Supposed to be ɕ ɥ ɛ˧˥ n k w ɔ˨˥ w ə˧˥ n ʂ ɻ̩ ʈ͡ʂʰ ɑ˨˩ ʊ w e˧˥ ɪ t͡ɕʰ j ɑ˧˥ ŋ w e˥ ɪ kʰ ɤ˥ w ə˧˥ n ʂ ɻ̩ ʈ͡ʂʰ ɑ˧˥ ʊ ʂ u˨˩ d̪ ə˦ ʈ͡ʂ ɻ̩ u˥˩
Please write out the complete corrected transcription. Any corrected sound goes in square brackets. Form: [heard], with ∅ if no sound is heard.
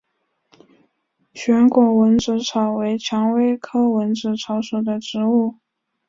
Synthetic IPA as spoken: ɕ ɥ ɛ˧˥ n k w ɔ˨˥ w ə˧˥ n [ʈ͡ʂ] ɻ̩ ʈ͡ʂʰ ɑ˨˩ ʊ w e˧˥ ɪ t͡ɕʰ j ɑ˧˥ ŋ w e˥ ɪ kʰ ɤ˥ w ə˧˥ n [ʈ͡ʂ] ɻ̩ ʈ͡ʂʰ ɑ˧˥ ʊ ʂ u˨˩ d̪ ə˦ ʈ͡ʂ ɻ̩ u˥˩